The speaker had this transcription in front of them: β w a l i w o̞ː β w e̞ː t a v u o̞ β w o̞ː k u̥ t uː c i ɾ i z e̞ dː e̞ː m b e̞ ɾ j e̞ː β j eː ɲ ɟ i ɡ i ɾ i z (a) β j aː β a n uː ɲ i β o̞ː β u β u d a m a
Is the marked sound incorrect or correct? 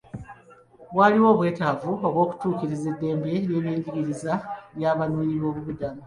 correct